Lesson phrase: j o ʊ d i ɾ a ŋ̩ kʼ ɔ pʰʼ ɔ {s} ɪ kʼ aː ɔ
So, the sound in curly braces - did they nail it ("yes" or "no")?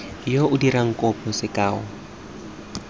yes